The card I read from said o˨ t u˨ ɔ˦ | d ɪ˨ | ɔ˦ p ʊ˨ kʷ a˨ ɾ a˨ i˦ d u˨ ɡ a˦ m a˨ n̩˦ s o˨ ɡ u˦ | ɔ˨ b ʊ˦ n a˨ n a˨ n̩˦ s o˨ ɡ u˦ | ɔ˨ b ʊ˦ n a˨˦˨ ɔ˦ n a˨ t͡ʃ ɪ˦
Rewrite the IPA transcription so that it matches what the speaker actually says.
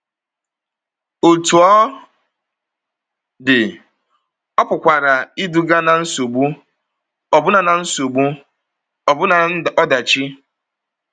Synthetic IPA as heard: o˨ t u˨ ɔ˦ | d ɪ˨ | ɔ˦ p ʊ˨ kʷ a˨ ɾ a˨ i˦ d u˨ ɡ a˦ n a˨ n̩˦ s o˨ ɡ͡b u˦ | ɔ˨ b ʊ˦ n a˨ n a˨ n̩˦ s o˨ ɡ͡b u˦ | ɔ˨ b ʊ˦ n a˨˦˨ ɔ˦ d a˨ t͡ʃ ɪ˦